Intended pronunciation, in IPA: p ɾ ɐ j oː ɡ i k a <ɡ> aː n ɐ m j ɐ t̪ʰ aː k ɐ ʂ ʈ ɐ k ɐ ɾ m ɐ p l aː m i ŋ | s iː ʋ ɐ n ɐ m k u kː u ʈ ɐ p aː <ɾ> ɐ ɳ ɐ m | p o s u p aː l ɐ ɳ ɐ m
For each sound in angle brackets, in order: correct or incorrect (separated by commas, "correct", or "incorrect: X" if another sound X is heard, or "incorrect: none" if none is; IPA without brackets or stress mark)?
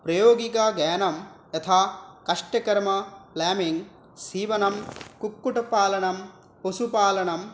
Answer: correct, incorrect: l